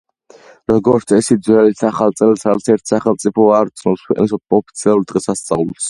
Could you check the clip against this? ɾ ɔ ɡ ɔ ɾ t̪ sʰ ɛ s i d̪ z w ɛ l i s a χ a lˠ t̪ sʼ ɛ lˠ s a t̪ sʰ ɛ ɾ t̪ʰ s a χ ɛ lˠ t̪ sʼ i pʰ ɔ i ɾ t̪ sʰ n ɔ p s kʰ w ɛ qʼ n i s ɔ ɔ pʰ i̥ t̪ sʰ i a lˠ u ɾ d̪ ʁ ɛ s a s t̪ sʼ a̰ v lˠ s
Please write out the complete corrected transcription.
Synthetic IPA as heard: ɾ ɔ ɡ ɔ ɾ t̪ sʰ ɛ s i d̪ z w ɛ l i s a χ a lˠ t̪ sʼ ɛ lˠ s a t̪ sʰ ɛ ɾ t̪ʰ s a χ ɛ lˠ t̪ sʼ i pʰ ɔ a ɾ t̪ sʰ n ɔ p s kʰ w ɛ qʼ n i s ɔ ɔ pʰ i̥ t̪ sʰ i a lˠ u ɾ d̪ ʁ ɛ s a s t̪ sʼ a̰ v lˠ s